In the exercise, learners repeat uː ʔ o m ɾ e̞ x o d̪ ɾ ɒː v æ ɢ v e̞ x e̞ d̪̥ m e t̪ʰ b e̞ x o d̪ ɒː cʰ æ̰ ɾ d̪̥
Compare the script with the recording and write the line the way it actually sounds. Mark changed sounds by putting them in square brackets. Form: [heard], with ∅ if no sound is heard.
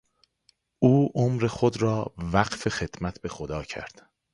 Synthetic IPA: uː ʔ o m ɾ e̞ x o d̪ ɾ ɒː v æ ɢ [f] e̞ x e̞ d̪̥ m [æ] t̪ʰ b e̞ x o d̪ ɒː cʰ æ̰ ɾ d̪̥